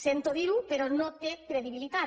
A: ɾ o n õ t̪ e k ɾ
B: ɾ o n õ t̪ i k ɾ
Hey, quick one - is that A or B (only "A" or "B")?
A